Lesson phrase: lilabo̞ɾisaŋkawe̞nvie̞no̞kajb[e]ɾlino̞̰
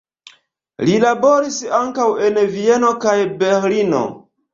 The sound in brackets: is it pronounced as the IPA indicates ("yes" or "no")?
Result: yes